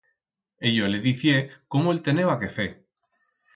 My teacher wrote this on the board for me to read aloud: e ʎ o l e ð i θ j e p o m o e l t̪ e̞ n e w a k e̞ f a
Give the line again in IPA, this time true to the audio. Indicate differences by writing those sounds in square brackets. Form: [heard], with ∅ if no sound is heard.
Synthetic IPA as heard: e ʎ o l e ð i θ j e [k] o m o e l t̪ e̞ n e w a k e̞ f [e]